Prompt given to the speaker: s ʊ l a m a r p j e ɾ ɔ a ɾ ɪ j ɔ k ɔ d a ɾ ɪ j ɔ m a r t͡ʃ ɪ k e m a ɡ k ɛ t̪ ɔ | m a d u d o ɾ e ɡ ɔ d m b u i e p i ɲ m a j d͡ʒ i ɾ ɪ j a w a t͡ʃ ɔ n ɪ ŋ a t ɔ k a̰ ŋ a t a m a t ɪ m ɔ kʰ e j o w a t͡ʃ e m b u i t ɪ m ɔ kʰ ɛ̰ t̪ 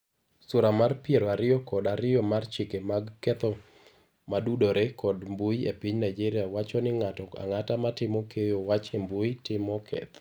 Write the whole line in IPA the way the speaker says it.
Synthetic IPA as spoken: s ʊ ɾ a m a r p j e ɾ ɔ a ɾ ɪ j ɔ k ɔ d a ɾ ɪ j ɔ m a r t͡ʃ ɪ k e m a ɡ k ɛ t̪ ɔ | m a d u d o ɾ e k ɔ d m b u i e p i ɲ n a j d͡ʒ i ɾ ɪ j a w a t͡ʃ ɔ n ɪ ŋ a t ɔ k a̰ ŋ a t a m a t ɪ m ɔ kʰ e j o w a t͡ʃ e m b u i t ɪ m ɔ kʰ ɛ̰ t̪